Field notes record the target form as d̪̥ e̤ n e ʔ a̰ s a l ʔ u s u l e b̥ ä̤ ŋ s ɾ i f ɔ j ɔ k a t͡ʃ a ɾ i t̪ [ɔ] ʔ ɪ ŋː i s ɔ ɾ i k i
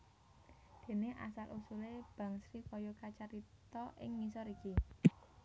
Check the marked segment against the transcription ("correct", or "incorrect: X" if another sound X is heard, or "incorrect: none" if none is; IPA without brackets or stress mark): correct